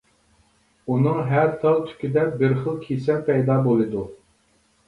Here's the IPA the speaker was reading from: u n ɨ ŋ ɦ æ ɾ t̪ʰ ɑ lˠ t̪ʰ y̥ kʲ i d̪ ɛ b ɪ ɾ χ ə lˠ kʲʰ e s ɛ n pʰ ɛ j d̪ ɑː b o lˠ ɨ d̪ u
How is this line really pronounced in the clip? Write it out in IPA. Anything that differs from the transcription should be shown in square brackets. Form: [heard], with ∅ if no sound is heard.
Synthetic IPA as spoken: u n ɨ ŋ ɦ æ ɾ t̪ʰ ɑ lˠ t̪ʰ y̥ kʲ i d̪ ɛ b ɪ ɾ χ ə lˠ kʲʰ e s ɛ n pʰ ɛ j d̪ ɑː b o lˠ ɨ d̪ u